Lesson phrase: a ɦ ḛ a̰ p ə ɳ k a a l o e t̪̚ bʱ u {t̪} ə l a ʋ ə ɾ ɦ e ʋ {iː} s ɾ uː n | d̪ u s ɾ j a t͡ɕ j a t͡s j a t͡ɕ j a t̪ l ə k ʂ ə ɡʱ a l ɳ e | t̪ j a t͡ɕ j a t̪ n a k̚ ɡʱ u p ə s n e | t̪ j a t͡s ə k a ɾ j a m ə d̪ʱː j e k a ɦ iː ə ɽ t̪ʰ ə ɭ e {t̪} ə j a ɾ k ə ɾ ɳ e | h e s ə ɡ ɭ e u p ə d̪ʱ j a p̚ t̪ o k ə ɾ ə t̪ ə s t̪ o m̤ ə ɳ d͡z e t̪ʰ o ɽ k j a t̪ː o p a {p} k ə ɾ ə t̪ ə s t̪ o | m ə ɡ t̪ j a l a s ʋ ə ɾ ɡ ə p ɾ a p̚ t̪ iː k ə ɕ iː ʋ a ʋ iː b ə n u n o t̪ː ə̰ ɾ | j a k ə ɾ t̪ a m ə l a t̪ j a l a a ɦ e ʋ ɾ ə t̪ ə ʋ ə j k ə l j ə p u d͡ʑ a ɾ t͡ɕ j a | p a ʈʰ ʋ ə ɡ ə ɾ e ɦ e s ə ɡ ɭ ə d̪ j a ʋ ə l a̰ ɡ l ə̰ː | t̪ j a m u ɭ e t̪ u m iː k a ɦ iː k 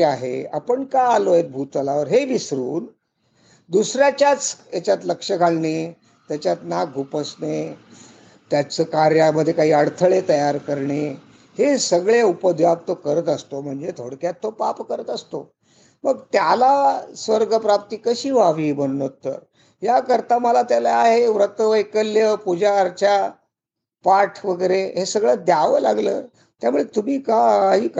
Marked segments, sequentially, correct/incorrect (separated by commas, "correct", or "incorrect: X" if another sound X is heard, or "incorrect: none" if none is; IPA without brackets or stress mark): correct, incorrect: i, correct, correct